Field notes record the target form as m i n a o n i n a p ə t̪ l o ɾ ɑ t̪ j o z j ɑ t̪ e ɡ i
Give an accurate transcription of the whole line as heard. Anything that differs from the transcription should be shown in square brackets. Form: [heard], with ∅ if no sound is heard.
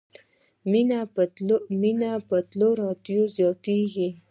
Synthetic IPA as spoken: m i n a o [m] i n a p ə t̪ l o ɾ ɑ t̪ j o z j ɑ t̪ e ɡ i